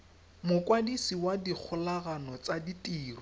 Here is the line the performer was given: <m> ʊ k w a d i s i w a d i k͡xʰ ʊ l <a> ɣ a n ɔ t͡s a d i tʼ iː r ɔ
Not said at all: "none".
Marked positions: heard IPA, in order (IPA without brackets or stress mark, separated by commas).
m, a